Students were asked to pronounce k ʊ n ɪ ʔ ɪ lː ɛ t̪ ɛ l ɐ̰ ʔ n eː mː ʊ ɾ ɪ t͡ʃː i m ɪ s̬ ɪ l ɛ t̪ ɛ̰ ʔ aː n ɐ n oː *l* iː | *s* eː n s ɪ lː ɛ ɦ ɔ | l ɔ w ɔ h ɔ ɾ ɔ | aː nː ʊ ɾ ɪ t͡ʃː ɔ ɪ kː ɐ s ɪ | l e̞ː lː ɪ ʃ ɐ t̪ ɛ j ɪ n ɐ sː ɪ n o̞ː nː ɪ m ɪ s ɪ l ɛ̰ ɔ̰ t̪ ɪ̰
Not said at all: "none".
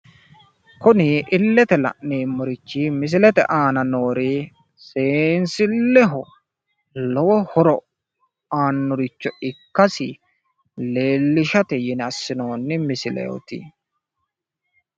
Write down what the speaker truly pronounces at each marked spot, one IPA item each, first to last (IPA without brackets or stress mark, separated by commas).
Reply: ɾ, s